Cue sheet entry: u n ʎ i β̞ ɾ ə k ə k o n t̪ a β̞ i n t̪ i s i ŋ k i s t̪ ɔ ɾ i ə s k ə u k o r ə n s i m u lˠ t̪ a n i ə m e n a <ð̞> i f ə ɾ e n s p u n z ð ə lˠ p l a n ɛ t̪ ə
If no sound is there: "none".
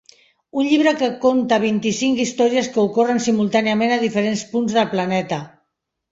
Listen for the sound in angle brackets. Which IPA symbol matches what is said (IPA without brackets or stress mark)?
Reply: ð̞